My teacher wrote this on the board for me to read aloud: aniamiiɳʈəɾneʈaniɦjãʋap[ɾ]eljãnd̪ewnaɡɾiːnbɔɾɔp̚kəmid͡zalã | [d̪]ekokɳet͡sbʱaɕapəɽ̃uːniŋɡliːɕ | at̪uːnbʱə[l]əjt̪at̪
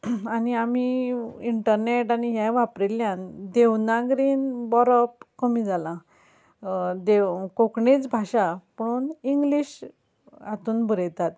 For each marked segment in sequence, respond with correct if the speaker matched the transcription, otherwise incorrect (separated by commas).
correct, correct, incorrect